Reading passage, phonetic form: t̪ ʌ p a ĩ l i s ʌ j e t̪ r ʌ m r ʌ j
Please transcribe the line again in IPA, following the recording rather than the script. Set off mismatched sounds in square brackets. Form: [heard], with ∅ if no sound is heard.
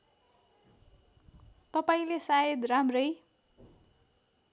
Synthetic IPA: t̪ ʌ p a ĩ l [e] s [a] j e [d̪] r [a] m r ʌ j